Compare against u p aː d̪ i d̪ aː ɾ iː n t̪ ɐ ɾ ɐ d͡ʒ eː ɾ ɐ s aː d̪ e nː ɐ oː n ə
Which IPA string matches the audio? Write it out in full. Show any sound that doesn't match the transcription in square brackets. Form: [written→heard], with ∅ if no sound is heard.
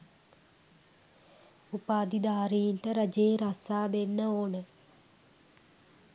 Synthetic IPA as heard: u p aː d̪ i d̪ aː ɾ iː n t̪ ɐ ɾ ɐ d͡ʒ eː ɾ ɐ s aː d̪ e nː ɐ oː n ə